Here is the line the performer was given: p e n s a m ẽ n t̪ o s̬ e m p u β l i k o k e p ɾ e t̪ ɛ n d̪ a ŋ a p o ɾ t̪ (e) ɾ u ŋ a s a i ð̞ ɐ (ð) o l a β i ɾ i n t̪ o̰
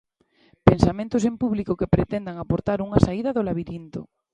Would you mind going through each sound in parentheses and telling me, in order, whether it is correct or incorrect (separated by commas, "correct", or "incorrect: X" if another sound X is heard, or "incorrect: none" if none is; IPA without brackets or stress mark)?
incorrect: a, correct